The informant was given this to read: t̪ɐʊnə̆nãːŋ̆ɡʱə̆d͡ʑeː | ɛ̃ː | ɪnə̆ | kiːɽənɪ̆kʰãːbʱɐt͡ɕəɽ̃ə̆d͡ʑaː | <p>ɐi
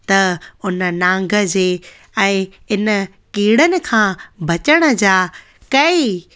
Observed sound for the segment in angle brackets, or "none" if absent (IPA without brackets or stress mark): k